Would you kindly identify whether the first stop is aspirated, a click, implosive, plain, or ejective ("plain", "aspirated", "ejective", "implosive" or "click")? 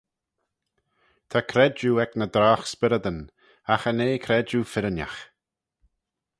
aspirated